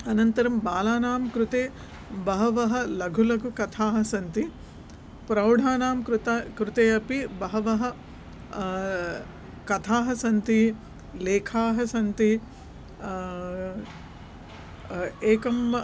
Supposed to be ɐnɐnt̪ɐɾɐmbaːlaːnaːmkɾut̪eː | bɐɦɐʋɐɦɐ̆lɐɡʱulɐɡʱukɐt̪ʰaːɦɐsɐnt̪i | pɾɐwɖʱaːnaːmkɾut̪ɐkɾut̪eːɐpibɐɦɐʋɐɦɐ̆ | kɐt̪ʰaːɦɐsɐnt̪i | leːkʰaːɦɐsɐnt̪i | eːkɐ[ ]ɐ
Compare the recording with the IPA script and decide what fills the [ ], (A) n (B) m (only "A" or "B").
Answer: B